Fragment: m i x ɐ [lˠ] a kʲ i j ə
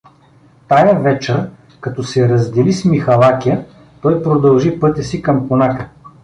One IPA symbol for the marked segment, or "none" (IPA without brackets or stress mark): lˠ